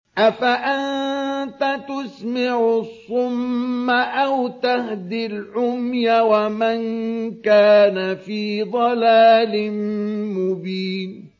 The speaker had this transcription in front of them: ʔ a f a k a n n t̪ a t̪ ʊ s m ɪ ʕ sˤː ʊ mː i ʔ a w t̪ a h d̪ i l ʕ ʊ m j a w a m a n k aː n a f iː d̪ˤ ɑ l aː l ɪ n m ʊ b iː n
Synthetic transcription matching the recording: ʔ a f a ʔ a n n t̪ a t̪ ʊ s m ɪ ʕ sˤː ʊ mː a ʔ a w t̪ a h d̪ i l ʕ ʊ m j a w a m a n k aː n a f iː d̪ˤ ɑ l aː l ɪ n m ʊ b iː n